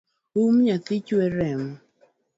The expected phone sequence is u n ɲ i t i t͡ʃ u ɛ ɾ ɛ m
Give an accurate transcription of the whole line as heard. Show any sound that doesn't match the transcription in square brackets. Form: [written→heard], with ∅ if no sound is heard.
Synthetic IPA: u [n→m] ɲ [i→a] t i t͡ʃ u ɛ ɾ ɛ m